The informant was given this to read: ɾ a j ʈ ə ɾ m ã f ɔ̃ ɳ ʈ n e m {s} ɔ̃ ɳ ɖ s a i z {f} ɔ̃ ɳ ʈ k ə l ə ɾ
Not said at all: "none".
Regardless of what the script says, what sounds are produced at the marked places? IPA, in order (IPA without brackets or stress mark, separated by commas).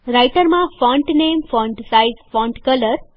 f, f